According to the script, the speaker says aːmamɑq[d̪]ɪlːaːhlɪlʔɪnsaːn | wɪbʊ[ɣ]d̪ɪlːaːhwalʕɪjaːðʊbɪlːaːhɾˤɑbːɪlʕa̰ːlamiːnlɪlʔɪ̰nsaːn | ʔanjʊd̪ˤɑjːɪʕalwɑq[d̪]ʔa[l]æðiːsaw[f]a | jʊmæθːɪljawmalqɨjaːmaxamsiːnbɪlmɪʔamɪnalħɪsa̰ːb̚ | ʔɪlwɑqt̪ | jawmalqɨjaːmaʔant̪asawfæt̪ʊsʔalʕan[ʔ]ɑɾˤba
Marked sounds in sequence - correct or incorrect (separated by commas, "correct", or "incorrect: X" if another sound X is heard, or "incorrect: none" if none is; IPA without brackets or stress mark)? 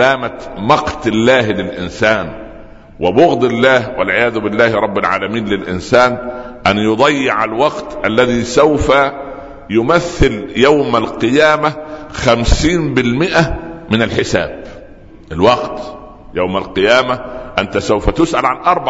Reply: incorrect: t̪, correct, incorrect: t̪, incorrect: lː, correct, correct